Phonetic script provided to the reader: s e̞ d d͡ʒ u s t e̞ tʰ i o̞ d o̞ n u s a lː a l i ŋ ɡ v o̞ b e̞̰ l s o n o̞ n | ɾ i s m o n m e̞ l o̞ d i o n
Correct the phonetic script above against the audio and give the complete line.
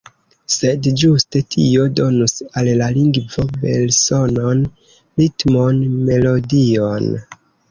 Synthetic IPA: s e̞ d d͡ʒ u s t e̞ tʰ i o̞ d o̞ n u s a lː a l i ŋ ɡ v o̞ b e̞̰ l s o n o̞ n | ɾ i t m o n m e̞ l o̞ d i o n